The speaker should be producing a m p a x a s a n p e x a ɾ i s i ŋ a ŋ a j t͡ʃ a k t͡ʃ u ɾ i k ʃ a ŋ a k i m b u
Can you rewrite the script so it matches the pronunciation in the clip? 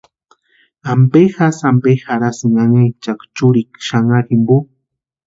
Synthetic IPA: a m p e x a s a m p e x a ɾ a s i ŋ a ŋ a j t͡ʃ a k t͡ʃ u ɾ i k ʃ a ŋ a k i m b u